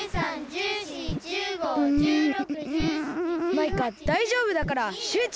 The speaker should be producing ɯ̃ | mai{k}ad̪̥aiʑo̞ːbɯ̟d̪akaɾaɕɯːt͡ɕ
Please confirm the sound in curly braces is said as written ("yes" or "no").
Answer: yes